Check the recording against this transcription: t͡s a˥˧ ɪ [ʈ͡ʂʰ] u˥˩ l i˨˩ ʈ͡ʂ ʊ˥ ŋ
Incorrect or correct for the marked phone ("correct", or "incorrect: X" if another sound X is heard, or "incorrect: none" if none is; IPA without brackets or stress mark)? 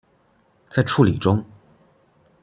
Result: correct